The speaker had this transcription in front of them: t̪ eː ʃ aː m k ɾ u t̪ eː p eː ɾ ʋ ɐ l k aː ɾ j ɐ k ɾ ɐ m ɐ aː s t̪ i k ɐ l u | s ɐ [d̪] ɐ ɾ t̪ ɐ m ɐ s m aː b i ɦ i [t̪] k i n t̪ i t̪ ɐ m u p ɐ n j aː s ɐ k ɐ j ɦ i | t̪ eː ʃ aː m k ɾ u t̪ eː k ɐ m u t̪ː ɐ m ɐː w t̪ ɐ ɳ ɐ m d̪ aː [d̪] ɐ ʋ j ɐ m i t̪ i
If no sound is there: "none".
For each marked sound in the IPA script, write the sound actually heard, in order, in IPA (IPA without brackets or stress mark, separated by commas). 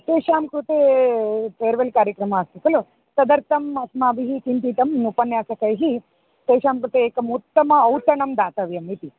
d̪, none, t̪